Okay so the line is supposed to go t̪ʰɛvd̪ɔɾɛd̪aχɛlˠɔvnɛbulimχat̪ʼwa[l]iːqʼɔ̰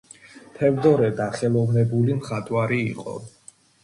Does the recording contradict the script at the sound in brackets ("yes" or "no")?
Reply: yes